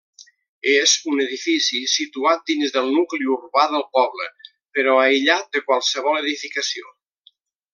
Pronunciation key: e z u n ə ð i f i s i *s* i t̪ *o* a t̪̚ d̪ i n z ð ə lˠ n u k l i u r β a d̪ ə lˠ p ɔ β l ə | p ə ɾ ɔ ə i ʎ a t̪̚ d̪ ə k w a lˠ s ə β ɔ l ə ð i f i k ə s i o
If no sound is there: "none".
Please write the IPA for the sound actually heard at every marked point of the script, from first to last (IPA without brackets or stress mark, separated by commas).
s, u